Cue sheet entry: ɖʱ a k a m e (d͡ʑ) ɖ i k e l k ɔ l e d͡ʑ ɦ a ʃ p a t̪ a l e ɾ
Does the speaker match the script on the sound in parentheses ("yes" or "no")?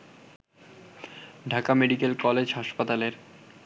no